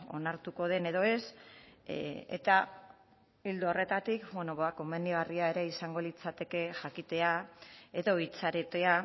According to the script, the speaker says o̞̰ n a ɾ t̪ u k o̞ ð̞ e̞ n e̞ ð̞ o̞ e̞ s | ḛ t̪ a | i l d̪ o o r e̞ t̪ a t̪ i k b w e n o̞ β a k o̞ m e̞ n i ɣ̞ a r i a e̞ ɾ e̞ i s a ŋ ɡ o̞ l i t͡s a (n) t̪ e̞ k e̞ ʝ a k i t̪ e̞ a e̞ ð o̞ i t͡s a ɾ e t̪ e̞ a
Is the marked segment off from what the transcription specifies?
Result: yes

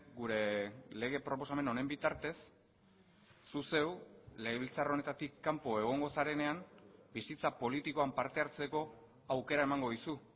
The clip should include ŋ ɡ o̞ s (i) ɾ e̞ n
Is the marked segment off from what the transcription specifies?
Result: yes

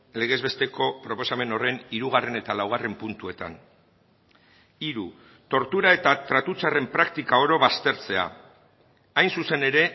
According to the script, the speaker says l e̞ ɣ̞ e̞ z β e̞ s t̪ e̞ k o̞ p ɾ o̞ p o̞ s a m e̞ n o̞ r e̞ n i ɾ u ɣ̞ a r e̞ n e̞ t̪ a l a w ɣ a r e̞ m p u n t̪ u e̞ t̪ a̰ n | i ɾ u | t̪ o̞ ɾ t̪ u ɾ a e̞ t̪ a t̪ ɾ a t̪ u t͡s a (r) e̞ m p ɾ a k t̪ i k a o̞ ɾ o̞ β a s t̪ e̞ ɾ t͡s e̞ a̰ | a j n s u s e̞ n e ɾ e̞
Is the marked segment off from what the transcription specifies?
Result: no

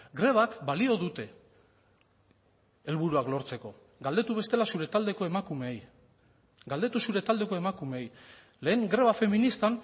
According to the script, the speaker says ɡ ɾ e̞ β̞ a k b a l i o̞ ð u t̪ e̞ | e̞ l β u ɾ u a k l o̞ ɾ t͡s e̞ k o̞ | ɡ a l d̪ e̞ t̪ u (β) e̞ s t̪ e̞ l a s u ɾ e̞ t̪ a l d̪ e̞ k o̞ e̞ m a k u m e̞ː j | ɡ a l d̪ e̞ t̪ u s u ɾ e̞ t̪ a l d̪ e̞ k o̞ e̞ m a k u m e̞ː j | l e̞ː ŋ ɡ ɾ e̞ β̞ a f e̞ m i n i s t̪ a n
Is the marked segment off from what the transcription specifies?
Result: no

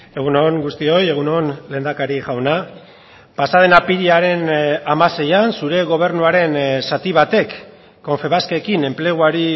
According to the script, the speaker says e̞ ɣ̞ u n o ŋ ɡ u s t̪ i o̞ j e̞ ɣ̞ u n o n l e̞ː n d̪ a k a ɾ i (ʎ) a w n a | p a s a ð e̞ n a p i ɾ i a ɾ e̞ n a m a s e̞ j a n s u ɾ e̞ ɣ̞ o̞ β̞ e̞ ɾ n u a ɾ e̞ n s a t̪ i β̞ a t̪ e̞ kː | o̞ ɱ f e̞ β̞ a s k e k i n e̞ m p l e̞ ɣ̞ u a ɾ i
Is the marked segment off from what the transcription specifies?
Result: yes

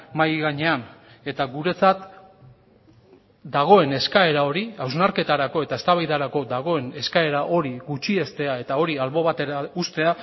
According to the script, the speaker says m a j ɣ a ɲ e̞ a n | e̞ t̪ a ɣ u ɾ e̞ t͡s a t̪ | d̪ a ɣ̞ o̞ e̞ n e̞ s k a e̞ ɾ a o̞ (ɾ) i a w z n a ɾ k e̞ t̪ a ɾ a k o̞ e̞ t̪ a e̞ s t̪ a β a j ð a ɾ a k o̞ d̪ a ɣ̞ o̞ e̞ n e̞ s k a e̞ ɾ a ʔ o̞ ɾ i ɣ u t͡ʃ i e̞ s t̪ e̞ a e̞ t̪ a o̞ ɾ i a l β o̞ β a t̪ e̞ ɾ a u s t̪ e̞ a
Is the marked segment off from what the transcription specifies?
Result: no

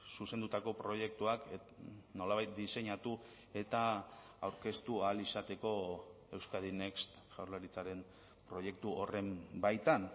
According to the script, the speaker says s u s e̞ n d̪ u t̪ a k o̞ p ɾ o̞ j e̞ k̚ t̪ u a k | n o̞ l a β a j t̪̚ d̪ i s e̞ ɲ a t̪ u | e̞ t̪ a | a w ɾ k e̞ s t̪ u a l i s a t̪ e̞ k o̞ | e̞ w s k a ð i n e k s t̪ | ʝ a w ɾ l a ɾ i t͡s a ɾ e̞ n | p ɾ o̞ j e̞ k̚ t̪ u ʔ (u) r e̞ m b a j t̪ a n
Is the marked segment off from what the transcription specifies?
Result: yes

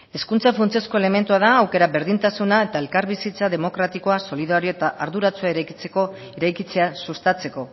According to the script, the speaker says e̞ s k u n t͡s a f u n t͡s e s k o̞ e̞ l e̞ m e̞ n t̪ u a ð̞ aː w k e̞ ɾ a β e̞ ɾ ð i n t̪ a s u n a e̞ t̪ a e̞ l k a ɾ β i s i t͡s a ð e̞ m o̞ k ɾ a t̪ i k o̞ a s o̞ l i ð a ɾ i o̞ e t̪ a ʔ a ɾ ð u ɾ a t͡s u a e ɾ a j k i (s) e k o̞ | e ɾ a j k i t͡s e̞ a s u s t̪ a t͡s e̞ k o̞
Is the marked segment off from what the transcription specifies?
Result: yes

